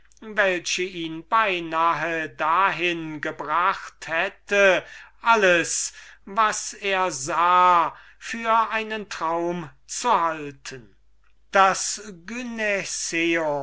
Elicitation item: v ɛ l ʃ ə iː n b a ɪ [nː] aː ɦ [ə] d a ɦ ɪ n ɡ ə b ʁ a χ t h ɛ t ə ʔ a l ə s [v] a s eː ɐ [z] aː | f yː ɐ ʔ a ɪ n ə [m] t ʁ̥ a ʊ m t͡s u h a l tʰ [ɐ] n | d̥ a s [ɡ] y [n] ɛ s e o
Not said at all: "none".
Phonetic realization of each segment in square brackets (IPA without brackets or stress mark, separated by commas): n, ə, v, z, n, ə, ɡ, n